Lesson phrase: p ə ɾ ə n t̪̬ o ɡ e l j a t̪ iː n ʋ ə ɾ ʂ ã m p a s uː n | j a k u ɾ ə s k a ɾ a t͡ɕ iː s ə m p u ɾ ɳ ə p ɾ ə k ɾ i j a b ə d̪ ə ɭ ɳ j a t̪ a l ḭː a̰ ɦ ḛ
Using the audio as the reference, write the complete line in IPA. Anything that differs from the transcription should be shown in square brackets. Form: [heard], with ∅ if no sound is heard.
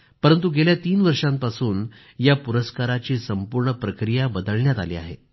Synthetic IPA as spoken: p ə ɾ ə n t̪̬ [u] ɡ e l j a t̪ iː n ʋ ə ɾ ʂ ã m p a s uː n | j a [p] u ɾ ə s k a ɾ a t͡ɕ iː s ə m p u ɾ ɳ ə p ɾ ə k ɾ i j a b ə d̪ ə ɭ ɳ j a t̪ a l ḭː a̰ ɦ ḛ